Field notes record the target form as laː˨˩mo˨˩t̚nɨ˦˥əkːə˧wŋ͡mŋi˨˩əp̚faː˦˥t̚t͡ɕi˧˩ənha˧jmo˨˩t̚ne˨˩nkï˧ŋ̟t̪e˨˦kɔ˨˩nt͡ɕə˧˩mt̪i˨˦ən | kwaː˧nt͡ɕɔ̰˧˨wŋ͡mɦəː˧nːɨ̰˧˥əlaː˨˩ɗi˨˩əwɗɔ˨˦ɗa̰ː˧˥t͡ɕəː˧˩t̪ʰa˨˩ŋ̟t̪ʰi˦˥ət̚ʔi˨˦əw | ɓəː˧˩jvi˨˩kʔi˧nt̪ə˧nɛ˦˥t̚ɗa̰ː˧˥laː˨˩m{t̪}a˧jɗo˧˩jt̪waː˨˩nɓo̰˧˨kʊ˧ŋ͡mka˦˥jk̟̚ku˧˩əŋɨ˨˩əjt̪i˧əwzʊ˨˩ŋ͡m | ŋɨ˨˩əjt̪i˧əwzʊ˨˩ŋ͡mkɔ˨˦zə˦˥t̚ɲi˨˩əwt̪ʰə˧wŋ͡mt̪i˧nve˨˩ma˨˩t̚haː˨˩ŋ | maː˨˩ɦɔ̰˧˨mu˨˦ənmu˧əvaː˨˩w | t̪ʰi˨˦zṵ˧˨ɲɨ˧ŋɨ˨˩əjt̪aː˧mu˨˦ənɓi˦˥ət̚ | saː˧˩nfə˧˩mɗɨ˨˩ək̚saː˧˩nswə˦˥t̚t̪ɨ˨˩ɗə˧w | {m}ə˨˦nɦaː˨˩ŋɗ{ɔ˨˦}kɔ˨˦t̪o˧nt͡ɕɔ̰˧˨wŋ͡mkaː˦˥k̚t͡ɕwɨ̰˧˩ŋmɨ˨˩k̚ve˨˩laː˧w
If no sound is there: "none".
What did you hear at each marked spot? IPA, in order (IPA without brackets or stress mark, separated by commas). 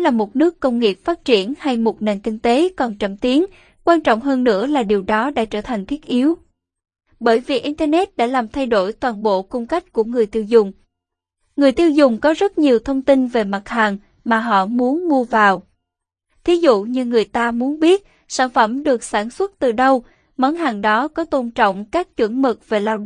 t̪ʰ, m, ɔ˨˦